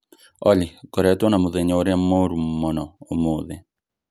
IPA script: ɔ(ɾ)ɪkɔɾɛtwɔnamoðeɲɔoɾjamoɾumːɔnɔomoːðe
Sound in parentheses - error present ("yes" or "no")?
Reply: yes